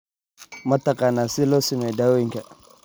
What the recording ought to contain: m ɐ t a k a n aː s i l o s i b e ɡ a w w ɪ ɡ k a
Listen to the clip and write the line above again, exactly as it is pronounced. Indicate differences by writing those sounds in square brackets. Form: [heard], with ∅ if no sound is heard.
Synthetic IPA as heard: m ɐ t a k a n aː s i l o s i [m] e [d] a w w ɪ [ŋ] k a

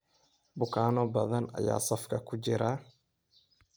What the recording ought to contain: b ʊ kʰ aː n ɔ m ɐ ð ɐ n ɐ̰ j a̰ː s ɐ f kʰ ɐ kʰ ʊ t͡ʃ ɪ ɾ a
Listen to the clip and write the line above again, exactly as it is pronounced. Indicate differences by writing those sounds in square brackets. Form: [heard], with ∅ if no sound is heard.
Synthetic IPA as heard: b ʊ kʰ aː n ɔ [b] ɐ ð ɐ n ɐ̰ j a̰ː s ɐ f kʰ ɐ kʰ ʊ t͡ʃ ɪ ɾ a

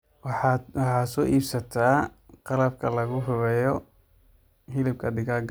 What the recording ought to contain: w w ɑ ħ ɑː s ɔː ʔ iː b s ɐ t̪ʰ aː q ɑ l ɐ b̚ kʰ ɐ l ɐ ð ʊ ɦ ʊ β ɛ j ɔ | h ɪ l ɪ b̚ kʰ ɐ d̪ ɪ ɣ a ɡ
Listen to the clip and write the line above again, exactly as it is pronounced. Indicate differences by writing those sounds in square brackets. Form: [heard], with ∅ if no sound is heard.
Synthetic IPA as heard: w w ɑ ħ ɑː s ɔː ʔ iː b s ɐ t̪ʰ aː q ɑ l ɐ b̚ kʰ ɐ l ɐ [ɣ] ʊ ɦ ʊ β ɛ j ɔ | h ɪ l ɪ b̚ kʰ ɐ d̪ ɪ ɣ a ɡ

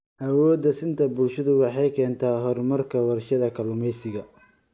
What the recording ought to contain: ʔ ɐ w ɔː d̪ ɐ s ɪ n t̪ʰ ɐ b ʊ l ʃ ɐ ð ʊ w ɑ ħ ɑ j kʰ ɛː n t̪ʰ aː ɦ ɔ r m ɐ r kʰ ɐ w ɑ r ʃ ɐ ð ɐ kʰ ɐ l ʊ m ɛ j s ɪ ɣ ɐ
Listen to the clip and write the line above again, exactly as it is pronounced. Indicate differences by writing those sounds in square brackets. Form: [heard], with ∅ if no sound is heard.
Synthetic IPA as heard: ʔ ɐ w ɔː d̪ ɐ s ɪ n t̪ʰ ɐ b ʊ l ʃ ɐ ð ʊ w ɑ ħ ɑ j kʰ ɛː n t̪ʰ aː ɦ ɔ r m ɐ r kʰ ɐ w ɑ r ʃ ɐ ð ɐ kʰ ɐ l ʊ m ɛ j s ɪ ɣ ɐ

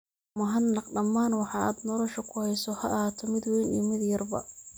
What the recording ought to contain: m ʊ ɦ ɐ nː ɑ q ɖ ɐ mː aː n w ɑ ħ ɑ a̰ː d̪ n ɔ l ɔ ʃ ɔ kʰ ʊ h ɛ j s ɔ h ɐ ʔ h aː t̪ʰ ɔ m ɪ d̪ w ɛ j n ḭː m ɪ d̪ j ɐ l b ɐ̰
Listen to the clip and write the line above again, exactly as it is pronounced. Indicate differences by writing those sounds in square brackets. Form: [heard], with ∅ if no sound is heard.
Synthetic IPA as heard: m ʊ ɦ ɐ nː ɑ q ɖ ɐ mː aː n w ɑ ħ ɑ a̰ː d̪ n ɔ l ɔ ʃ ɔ kʰ ʊ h ɛ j s ɔ h ɐ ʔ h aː t̪ʰ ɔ m ɪ d̪ w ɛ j n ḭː m ɪ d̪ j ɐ [r] b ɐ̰

